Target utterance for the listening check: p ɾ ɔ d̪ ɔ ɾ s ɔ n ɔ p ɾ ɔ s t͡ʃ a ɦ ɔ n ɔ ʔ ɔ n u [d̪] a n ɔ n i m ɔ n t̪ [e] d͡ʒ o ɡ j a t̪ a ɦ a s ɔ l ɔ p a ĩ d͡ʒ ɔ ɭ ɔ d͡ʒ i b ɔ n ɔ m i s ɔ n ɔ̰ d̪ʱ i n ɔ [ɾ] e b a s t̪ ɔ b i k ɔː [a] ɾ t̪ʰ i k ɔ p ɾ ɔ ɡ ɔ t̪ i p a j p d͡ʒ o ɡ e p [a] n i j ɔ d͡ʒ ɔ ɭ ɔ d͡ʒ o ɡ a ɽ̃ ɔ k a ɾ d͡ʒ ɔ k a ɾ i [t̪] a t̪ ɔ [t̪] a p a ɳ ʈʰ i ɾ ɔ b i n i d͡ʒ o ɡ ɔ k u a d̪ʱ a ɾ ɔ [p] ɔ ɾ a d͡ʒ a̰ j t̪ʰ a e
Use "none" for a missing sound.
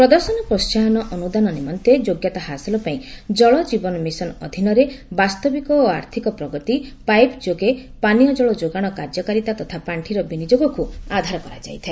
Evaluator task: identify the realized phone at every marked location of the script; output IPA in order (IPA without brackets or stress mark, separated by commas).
d̪, e, ɾ, a, a, t̪, t̪ʰ, k